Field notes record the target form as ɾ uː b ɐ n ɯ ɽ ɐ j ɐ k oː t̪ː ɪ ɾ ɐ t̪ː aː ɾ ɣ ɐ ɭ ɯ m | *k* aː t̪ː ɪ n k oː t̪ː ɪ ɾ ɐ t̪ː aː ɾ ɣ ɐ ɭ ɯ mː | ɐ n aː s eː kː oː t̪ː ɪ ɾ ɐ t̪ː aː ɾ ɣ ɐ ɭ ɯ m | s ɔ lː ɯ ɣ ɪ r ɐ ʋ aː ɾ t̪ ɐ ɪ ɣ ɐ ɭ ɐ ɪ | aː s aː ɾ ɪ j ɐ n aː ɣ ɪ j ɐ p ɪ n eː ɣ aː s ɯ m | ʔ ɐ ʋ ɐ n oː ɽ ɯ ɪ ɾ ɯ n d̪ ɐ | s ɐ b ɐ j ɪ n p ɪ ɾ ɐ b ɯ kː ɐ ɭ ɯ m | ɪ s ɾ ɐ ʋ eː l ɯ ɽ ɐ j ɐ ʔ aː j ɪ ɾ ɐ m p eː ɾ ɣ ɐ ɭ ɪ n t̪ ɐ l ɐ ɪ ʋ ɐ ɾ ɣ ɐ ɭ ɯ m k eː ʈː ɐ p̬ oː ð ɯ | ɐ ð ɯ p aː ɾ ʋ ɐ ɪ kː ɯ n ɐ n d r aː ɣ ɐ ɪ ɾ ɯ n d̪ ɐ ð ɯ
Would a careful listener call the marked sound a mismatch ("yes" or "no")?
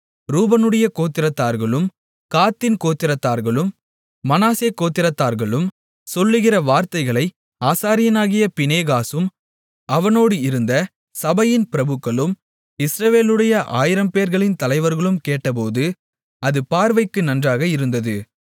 no